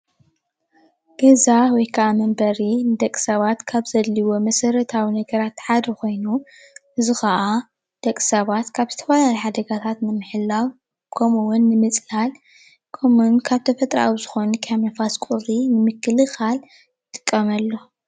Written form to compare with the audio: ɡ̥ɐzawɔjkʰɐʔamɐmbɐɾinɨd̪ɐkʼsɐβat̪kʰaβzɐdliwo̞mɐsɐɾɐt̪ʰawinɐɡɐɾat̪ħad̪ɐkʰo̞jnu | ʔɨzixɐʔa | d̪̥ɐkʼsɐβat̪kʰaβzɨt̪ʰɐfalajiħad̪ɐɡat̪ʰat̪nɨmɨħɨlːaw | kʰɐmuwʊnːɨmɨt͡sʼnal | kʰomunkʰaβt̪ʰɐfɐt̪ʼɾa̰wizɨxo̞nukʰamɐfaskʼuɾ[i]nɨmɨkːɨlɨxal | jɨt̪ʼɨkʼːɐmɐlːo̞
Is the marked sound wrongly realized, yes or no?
no